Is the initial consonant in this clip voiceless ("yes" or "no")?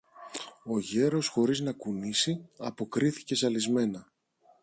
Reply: no